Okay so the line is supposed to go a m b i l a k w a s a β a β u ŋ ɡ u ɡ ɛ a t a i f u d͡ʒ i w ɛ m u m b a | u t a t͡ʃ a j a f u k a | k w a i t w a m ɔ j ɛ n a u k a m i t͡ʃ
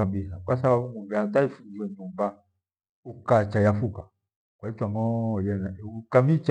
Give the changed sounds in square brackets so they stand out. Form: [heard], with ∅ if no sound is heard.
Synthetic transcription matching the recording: a m b i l a k w a s a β a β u ŋ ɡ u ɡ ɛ a t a i f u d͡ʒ i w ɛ [ɲ] u m b a | u [k] a t͡ʃ a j a f u k a | k w a i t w a [ŋ] ɔ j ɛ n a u k a m i t͡ʃ